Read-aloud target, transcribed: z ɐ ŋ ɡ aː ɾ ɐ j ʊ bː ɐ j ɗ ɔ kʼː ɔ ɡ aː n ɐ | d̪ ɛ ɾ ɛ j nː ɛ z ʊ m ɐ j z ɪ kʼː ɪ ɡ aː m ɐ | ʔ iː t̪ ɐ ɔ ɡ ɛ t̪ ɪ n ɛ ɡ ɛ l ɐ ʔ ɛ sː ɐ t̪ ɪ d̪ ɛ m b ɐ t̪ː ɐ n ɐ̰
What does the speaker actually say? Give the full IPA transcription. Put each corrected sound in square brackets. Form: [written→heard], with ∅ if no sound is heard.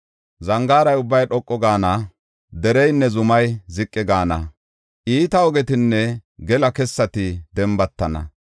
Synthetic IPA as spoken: z ɐ ŋ ɡ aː ɾ ɐ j ʊ bː ɐ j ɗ ɔ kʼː ɔ ɡ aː n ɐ | d̪ ɛ ɾ ɛ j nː ɛ z ʊ m ɐ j z ɪ kʼː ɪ ɡ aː [m→n] ɐ | ʔ iː t̪ ɐ ɔ ɡ ɛ t̪ ɪ [n→nː] ɛ ɡ ɛ l ɐ [ʔ→k] ɛ sː ɐ t̪ ɪ d̪ ɛ m b ɐ t̪ː ɐ n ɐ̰

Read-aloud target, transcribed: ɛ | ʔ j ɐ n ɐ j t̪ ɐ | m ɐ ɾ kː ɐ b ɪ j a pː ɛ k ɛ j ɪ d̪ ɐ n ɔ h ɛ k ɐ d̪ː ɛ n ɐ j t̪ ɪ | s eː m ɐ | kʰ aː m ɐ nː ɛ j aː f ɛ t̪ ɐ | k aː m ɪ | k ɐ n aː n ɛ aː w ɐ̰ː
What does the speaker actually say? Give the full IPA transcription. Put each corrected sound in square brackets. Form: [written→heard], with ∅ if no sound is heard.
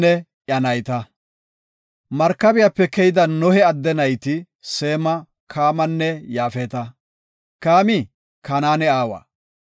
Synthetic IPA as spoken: ɛ | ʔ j ɐ n ɐ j t̪ ɐ | m ɐ ɾ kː ɐ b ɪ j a pː ɛ k ɛ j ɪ d̪ ɐ n ɔ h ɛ [k→∅] ɐ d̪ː ɛ n ɐ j t̪ ɪ | s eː m ɐ | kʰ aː m ɐ nː ɛ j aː f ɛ t̪ ɐ | k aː m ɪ | k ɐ n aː n ɛ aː w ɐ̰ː

